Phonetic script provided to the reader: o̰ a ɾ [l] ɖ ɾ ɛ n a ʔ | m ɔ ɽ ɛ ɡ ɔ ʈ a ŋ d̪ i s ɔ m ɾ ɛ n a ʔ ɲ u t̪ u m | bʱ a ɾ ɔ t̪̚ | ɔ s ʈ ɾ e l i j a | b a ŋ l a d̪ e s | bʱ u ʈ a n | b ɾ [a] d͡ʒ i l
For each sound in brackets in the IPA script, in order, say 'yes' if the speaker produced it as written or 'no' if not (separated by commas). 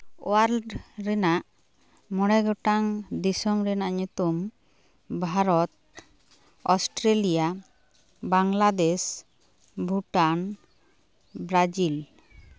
yes, yes